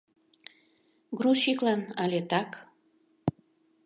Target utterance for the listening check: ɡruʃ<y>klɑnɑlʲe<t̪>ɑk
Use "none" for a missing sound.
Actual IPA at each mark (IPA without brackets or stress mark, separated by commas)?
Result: i, t̪